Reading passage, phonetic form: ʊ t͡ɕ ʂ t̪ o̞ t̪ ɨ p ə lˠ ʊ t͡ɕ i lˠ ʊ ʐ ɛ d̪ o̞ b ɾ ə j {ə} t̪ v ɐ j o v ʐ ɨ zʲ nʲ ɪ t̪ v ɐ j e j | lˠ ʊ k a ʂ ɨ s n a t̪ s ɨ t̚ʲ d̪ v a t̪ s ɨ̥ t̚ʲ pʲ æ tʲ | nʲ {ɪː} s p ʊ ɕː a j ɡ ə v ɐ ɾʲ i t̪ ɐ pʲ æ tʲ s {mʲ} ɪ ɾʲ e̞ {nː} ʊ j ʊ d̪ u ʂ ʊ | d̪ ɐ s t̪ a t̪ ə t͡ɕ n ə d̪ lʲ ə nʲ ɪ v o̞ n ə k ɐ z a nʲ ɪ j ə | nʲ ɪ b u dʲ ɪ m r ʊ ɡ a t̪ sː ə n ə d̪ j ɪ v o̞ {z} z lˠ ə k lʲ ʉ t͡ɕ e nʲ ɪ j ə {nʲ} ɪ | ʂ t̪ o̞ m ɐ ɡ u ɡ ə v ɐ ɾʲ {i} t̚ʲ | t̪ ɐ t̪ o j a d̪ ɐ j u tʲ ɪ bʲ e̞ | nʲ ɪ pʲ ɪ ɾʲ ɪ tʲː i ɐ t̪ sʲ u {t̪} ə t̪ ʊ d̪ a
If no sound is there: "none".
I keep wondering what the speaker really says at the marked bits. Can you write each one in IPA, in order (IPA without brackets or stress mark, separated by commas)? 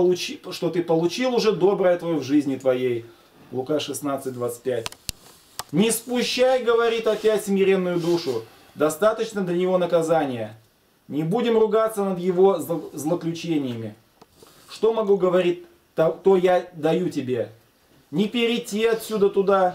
ə, ɪ, mʲ, nː, z, mʲ, i, d̪